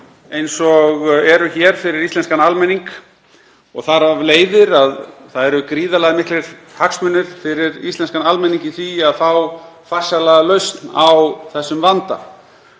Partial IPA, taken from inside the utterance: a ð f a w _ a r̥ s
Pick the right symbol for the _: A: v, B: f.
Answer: B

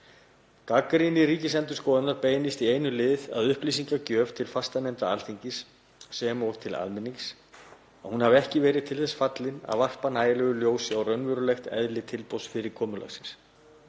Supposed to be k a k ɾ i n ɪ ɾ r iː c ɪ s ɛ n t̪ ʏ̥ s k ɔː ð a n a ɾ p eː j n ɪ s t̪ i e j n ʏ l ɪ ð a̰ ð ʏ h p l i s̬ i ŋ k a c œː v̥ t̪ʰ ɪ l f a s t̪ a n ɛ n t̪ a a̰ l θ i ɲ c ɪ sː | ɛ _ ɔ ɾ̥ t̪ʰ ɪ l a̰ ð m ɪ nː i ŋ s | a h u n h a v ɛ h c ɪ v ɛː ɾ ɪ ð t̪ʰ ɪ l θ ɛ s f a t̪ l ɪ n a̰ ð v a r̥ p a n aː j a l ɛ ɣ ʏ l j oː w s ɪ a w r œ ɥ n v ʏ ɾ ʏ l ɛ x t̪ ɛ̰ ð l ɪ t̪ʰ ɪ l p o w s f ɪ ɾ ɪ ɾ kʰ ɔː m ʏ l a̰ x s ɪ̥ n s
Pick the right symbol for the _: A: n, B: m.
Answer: B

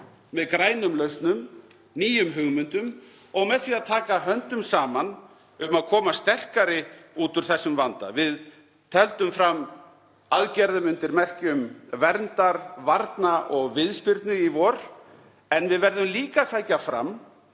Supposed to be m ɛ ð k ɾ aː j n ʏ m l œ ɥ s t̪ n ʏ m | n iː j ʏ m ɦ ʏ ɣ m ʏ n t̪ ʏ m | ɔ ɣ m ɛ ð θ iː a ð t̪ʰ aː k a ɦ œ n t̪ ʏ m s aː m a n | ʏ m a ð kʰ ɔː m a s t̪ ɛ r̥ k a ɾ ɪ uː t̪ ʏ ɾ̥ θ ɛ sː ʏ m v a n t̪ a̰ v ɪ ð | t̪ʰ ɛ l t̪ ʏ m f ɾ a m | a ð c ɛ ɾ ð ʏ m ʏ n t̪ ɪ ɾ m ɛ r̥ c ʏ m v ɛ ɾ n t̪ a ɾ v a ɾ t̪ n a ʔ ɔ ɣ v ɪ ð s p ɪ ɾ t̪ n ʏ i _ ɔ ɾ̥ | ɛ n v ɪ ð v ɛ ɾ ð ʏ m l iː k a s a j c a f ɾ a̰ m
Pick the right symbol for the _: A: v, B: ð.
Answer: A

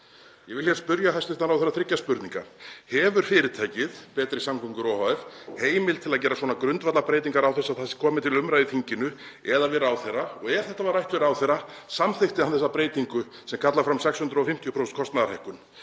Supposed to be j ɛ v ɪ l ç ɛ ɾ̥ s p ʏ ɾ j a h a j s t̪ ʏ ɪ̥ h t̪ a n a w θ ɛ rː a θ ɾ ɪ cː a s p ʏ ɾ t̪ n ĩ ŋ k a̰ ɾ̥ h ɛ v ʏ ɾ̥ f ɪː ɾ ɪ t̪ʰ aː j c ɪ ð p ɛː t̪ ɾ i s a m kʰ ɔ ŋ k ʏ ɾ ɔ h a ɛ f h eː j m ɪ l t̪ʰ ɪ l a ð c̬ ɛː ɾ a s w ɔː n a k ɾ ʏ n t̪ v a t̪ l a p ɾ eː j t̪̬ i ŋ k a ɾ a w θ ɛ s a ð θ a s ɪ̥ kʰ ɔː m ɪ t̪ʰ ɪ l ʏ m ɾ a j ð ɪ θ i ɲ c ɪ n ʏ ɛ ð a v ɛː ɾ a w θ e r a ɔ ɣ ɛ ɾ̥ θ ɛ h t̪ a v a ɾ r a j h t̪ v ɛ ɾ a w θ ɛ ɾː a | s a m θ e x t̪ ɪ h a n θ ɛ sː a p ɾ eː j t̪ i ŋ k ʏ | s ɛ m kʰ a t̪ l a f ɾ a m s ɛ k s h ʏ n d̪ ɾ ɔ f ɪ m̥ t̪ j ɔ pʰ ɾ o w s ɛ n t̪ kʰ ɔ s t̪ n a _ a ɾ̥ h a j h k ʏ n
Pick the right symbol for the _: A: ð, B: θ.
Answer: A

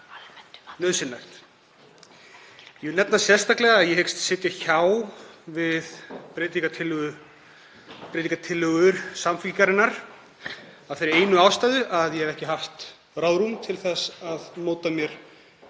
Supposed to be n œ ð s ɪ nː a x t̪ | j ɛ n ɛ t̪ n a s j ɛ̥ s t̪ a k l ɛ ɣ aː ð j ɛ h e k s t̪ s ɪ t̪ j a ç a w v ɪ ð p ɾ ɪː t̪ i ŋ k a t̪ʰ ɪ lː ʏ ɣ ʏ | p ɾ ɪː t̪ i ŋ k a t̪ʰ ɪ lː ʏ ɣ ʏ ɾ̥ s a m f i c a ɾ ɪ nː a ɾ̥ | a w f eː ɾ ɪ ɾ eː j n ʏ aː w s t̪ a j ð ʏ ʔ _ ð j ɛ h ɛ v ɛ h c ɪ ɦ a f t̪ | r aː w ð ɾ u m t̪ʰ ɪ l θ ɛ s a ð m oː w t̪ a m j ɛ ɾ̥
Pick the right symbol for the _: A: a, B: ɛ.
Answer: A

